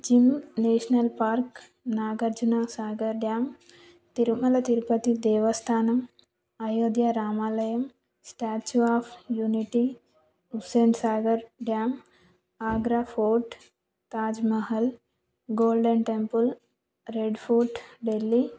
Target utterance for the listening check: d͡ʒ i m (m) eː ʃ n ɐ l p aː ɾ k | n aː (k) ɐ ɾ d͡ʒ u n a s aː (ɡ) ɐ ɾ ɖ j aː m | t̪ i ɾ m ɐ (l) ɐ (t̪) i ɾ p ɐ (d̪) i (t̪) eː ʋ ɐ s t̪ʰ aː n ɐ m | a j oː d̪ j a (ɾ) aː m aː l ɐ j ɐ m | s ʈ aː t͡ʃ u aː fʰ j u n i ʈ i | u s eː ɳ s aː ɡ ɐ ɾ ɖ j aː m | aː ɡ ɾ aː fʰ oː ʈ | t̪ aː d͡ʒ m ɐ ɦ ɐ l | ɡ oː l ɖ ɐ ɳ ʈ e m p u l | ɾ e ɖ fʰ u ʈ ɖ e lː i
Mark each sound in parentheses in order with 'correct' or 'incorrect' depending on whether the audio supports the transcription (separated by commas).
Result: incorrect, incorrect, correct, correct, correct, incorrect, incorrect, correct